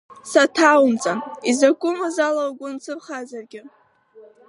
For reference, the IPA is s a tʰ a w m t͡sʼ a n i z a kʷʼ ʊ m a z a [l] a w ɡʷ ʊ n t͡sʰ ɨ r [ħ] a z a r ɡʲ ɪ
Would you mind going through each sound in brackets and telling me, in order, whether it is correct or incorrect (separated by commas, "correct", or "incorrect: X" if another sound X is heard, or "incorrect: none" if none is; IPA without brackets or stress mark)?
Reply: correct, incorrect: χ